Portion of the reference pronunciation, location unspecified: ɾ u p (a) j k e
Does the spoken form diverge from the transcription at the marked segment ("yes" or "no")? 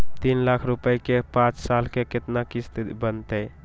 yes